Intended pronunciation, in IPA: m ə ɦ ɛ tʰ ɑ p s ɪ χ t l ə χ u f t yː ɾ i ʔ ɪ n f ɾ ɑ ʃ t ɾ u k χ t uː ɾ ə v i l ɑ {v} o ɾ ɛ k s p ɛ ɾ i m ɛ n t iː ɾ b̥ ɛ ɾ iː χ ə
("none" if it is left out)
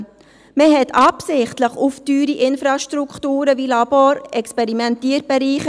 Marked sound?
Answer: b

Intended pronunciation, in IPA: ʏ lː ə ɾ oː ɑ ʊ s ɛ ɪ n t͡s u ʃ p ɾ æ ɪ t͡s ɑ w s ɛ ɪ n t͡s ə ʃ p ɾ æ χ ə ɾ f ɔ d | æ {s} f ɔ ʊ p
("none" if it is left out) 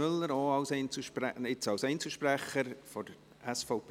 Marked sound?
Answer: s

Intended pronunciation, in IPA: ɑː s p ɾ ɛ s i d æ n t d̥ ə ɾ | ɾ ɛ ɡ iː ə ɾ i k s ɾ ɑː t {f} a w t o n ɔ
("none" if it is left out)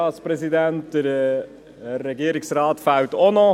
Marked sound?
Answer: f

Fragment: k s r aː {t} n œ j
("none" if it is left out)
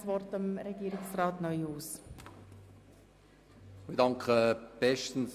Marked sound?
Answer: t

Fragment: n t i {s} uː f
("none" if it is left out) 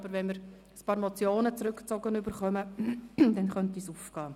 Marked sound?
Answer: s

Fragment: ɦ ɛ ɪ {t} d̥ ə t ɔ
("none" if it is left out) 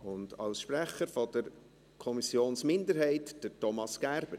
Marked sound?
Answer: t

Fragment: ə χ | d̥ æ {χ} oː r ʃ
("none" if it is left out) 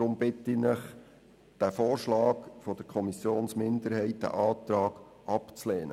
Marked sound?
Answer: f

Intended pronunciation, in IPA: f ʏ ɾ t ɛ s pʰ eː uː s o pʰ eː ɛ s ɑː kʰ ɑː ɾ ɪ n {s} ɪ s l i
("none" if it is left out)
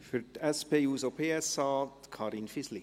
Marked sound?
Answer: f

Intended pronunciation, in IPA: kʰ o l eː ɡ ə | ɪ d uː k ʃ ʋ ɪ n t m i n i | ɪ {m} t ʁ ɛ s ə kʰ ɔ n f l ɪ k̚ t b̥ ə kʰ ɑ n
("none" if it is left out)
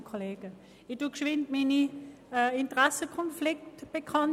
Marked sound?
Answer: n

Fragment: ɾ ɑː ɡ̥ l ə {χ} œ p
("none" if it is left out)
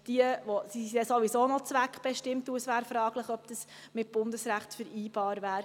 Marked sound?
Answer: χ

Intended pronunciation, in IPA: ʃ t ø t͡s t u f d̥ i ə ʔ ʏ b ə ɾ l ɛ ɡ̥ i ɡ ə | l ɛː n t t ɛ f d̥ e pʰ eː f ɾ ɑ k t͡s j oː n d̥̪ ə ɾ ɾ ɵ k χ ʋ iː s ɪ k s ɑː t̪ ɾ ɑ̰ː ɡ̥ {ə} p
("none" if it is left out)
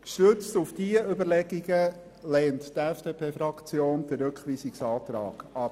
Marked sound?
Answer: ɑ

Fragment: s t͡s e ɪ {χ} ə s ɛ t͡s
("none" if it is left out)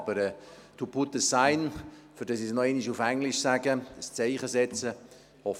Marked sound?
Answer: χ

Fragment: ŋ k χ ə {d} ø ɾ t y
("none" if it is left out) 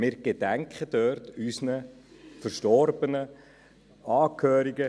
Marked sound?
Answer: d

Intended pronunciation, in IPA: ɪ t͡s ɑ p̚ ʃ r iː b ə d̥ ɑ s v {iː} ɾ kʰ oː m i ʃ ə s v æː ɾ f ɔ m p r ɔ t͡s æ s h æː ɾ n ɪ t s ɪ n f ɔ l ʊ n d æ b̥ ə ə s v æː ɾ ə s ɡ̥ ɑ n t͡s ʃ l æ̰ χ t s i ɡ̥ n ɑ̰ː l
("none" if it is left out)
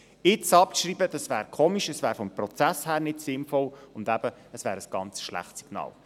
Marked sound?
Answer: æː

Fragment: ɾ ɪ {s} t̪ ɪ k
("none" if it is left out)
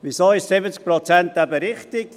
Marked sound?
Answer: χ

